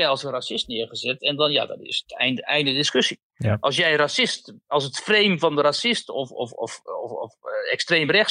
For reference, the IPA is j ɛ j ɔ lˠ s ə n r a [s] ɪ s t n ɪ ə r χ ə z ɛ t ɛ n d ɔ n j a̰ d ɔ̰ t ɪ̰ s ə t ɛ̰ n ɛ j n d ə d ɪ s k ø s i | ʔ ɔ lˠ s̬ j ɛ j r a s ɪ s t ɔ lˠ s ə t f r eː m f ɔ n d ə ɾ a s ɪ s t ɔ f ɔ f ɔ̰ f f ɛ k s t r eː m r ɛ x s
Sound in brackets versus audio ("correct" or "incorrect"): correct